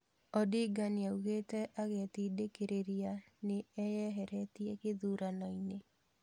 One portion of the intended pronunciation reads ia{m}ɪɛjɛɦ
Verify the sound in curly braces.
incorrect: n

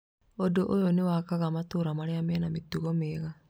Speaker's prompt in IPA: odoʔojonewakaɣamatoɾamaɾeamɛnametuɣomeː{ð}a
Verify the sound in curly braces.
incorrect: ɣ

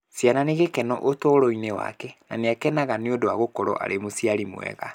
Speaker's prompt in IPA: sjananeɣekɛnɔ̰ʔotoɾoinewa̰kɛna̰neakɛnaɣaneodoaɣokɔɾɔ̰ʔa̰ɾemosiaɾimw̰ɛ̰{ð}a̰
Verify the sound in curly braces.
incorrect: ɣ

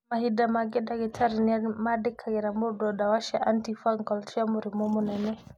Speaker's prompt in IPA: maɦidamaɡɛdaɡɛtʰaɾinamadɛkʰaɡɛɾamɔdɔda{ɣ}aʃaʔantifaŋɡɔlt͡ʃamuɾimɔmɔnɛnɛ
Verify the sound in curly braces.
incorrect: w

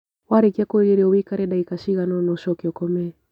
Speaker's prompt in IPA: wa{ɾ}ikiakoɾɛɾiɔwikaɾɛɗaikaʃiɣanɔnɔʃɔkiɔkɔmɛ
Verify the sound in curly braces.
correct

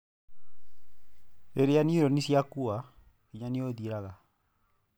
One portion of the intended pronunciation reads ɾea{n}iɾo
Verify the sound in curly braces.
correct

